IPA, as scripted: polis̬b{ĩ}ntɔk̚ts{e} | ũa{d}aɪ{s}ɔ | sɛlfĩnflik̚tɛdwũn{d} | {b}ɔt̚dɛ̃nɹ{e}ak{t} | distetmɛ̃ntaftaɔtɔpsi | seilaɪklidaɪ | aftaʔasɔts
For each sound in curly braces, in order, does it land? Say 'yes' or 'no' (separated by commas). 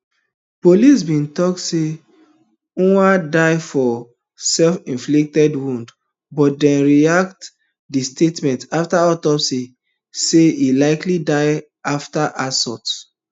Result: yes, yes, yes, no, yes, yes, no, yes